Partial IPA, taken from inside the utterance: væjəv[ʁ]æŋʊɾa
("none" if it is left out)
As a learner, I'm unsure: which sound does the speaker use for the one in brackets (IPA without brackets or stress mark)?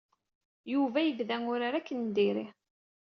ð